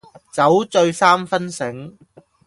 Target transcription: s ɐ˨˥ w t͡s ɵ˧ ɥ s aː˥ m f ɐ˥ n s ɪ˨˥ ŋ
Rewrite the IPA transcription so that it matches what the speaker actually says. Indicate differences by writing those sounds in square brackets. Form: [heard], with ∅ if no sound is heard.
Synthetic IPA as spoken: [t͡s] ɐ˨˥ w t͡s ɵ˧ ɥ s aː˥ m f ɐ˥ n s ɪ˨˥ ŋ

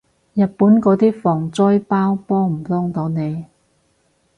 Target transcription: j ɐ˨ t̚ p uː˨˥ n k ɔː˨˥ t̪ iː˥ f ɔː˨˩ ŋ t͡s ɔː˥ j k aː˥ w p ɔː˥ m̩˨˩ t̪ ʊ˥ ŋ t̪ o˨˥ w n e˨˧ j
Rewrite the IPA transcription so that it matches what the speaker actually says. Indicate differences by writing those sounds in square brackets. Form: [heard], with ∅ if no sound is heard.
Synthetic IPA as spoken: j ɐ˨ t̚ p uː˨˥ n k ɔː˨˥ t̪ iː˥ f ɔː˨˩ ŋ t͡s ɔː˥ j [p] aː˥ w p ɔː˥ m̩˨˩ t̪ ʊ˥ ŋ t̪ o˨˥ w n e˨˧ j

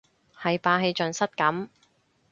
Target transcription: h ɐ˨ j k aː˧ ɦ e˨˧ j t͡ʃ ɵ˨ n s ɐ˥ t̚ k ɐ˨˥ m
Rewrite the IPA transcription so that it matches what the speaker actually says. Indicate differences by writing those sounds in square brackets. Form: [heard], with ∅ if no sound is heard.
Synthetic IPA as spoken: h ɐ˨ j [p] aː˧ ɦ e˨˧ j t͡ʃ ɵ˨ n s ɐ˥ t̚ k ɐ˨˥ m

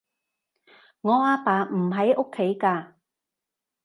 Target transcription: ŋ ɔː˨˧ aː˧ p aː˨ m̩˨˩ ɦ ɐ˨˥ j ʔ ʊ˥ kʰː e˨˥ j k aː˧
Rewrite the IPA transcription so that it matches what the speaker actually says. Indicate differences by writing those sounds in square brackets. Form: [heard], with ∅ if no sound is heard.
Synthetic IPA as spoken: ŋ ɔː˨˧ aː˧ p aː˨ m̩˨˩ ɦ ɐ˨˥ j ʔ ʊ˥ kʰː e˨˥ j k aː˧

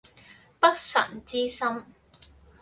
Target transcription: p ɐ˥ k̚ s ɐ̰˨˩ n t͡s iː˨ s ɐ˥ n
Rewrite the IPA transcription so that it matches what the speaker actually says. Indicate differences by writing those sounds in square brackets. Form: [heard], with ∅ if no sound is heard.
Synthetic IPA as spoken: p ɐ˥ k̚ s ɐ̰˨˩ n t͡s [iː˥] s ɐ˥ [m]

